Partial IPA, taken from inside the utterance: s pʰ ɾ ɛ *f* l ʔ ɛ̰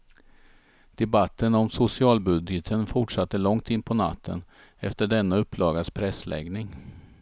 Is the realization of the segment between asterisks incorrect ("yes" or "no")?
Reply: yes